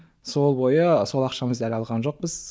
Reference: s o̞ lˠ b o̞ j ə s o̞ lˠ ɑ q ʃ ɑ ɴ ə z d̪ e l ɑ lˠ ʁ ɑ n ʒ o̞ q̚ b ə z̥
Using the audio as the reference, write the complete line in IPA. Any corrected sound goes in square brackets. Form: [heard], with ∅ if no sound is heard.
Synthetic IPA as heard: s o̞ lˠ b o̞ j ə s o̞ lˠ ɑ q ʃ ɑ [m] ə z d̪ [æ] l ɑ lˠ ʁ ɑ n ʒ o̞ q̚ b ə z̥